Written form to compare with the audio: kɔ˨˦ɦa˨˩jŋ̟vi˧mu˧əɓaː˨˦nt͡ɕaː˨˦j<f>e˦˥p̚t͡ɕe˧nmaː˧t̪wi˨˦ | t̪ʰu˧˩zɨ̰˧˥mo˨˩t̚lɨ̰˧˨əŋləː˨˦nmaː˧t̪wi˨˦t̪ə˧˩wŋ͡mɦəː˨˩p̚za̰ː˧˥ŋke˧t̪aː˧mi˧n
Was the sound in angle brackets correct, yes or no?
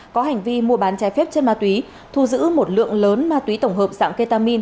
yes